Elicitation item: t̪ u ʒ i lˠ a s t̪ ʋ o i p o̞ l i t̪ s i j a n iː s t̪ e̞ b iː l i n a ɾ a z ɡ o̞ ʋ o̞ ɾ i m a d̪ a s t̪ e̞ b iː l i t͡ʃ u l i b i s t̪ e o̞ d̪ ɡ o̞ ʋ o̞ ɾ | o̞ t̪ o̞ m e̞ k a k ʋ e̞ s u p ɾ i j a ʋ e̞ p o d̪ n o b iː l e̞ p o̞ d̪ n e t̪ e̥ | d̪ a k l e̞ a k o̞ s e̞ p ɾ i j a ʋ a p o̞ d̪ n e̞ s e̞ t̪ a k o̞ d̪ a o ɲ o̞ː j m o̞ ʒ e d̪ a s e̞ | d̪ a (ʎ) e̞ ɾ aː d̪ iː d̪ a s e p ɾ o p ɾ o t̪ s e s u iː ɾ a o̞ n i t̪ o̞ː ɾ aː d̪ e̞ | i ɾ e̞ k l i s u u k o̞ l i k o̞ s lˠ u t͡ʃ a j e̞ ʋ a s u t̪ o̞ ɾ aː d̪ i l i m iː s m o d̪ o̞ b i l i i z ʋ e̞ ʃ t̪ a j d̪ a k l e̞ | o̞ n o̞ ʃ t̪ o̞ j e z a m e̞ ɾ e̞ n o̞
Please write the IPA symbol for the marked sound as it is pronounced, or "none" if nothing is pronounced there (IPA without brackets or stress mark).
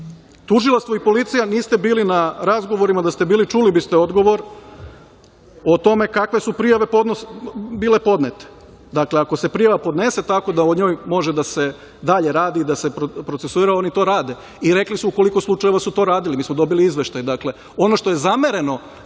ʎ